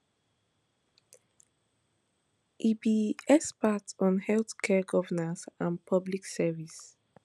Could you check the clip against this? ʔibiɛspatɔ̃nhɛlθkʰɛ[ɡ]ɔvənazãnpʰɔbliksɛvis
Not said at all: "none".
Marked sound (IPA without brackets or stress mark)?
ɡ